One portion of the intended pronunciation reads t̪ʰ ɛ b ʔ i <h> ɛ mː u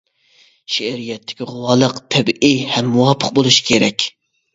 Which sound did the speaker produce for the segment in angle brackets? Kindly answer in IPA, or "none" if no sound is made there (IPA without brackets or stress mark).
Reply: h